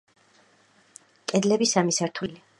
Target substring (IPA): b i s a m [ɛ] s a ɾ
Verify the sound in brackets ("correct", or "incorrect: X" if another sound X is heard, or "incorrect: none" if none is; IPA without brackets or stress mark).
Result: incorrect: i